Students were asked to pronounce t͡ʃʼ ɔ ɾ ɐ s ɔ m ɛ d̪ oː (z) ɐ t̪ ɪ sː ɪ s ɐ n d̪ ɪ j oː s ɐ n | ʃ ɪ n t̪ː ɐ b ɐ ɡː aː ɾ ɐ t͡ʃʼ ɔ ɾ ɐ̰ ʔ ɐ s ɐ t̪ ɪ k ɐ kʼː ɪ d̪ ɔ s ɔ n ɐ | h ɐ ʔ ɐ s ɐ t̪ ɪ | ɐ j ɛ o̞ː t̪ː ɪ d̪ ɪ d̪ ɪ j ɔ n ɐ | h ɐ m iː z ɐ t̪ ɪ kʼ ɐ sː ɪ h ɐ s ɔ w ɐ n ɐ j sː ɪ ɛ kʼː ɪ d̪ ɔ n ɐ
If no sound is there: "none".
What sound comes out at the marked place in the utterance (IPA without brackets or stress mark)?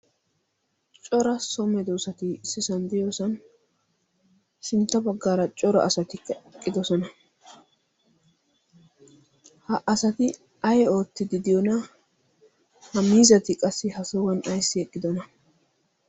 s